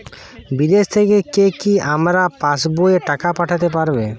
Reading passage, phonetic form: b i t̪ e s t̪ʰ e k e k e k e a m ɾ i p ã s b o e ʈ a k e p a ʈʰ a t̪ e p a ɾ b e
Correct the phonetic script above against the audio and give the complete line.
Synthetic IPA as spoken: b i d̪ e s t̪ʰ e k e k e k i a m ɾ a p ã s b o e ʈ a k a p a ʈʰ a t̪ e p a ɾ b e